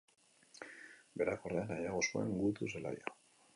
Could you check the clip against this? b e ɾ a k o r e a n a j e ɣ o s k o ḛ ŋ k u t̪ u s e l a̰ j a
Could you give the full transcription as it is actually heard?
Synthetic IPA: b e ɾ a k o r e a n a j a ɣ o s k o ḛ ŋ ɡ u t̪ u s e l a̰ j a